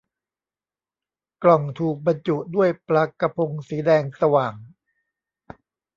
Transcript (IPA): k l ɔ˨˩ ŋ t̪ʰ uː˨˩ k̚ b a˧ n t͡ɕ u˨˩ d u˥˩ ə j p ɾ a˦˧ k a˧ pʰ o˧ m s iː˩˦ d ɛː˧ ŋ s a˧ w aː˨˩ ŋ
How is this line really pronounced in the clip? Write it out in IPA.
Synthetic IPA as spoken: k l ɔ˨˩ ŋ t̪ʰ uː˨˩ k̚ b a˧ n t͡ɕ u˨˩ d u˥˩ ə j p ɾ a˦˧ k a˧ pʰ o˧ ŋ s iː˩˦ d ɛː˧ ŋ s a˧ w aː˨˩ ŋ